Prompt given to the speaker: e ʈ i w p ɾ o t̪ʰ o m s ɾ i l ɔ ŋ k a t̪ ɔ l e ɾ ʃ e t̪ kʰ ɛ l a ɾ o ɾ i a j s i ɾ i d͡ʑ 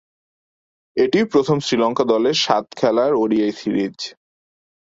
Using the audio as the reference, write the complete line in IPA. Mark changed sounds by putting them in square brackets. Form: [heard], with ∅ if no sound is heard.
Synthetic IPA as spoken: e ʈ i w p ɾ o t̪ʰ o m s ɾ i l ɔ ŋ k a [d̪] ɔ l e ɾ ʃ [a] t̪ kʰ ɛ l a ɾ o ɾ i a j s i ɾ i d͡ʑ